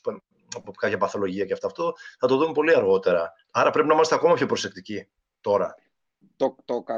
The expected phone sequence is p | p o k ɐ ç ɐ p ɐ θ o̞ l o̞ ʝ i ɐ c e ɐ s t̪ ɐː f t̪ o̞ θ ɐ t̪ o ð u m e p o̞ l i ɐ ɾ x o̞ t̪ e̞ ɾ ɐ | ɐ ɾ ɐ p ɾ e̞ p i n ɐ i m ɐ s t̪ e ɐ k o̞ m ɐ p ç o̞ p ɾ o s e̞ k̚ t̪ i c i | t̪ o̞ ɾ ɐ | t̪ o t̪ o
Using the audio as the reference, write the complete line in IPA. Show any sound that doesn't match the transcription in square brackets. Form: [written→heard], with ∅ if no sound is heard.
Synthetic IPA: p | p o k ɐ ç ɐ p ɐ θ o̞ l o̞ ʝ i ɐ c e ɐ [s→f] t̪ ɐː f t̪ o̞ θ ɐ t̪ o ð u m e p o̞ l i ɐ ɾ [x→ɣ] o̞ t̪ e̞ ɾ ɐ | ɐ ɾ ɐ p ɾ e̞ p i n ɐ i m ɐ s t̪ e ɐ k o̞ m ɐ p ç o̞ p ɾ o s e̞ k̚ t̪ i c i | t̪ o̞ ɾ ɐ | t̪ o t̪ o